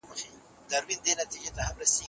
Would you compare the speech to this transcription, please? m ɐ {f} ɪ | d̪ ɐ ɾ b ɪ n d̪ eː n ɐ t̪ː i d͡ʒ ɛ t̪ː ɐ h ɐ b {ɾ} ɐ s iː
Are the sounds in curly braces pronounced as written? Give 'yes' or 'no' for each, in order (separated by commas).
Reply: yes, yes